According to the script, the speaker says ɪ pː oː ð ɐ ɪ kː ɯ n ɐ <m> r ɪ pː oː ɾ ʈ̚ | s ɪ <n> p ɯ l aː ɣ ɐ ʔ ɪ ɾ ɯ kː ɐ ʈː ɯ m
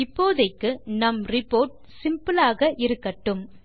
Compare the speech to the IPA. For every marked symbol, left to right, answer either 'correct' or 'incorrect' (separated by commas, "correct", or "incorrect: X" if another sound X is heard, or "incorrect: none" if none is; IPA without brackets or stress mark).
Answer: correct, incorrect: m